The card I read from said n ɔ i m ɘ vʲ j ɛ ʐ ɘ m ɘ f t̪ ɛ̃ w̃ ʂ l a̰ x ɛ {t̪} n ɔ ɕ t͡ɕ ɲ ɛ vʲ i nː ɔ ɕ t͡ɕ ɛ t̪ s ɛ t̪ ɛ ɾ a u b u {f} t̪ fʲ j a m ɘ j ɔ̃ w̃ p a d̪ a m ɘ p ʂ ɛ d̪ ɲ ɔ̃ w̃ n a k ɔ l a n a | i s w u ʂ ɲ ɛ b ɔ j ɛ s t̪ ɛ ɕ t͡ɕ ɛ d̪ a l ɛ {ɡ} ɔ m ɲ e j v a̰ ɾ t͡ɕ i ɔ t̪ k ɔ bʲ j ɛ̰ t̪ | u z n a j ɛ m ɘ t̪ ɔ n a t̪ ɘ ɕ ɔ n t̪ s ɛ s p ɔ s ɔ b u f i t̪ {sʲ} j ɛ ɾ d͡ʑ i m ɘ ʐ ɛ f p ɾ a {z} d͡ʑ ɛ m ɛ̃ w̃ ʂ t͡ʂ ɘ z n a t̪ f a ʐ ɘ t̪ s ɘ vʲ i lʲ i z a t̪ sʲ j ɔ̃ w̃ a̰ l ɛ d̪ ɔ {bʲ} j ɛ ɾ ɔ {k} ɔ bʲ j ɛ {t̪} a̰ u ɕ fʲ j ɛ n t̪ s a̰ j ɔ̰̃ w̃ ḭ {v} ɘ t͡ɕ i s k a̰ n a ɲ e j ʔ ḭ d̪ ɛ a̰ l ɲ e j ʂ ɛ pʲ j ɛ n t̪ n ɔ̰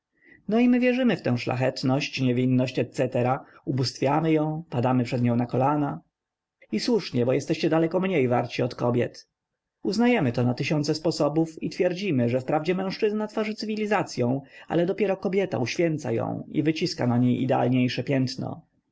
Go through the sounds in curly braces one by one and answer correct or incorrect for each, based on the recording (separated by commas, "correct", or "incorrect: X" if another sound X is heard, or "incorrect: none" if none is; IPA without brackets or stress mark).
correct, incorrect: s, incorrect: k, incorrect: fʲ, incorrect: v, incorrect: pʲ, correct, correct, correct